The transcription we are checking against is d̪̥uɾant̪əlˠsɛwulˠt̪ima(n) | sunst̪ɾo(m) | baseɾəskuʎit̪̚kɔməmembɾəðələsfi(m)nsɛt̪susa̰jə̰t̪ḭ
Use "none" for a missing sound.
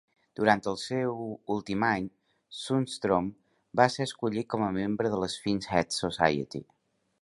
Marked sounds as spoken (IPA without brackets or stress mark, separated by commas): ɲ, m, none